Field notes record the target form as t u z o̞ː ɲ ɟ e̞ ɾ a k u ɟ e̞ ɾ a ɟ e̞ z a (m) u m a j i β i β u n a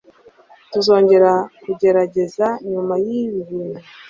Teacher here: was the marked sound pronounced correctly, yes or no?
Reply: no